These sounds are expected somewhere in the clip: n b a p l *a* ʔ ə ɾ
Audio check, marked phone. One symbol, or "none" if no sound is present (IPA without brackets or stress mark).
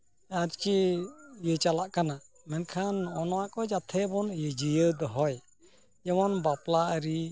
a